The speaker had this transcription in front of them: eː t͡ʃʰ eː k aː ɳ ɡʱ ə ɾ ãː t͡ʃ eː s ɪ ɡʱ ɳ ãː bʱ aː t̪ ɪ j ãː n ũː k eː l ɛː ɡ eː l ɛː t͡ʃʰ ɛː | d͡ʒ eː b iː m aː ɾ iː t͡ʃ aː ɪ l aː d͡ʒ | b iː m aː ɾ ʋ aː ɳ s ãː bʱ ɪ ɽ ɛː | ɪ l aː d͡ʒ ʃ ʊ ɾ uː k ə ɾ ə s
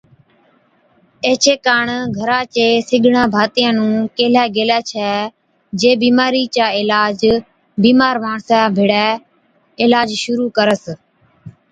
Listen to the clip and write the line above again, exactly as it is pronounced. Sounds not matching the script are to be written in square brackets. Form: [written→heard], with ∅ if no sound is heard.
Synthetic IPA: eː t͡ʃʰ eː k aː ɳ ɡʱ ə ɾ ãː t͡ʃ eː s ɪ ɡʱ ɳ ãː bʱ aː t̪ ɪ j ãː n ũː k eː l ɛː ɡ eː l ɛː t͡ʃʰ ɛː | d͡ʒ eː b iː m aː ɾ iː t͡ʃ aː ɪ l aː d͡ʒ | b iː m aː ɾ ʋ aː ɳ s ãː bʱ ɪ ɽ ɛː | ɪ l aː d͡ʒ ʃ ʊ ɾ uː k ə ɾ ə s